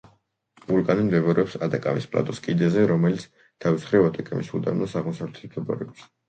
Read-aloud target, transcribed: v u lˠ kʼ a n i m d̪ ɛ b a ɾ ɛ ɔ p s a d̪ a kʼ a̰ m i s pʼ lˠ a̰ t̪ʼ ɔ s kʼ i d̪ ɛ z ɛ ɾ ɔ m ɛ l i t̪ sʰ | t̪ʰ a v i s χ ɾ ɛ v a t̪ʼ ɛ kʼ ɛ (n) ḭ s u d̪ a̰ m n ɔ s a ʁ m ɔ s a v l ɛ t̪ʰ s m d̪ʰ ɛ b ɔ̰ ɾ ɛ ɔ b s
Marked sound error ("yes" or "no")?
yes